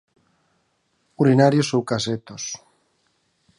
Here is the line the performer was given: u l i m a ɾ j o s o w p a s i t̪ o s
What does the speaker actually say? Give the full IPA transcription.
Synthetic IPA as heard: u ɾ i n a ɾ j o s o w k a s e t̪ o s